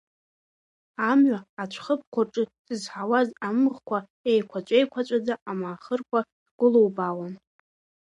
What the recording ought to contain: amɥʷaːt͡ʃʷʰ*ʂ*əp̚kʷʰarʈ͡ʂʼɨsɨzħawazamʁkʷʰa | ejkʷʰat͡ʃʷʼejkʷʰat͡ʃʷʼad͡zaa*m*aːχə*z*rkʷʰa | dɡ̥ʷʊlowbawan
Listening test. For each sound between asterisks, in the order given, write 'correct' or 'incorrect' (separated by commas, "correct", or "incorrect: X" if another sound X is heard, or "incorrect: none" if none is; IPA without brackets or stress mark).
incorrect: χ, correct, incorrect: none